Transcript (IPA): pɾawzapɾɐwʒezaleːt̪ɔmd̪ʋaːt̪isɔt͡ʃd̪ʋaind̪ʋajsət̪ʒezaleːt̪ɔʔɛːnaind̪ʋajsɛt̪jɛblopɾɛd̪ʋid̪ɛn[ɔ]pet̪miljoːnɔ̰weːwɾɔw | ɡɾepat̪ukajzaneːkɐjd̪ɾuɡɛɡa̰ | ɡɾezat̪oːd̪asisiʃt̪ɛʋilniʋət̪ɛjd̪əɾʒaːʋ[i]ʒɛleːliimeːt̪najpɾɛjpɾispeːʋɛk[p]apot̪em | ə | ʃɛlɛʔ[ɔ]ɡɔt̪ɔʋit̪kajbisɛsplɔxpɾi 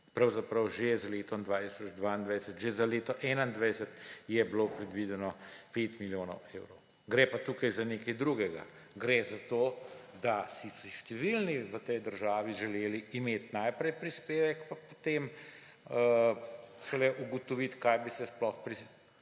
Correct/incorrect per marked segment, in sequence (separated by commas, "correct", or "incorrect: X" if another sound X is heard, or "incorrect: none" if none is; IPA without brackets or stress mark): correct, correct, correct, incorrect: u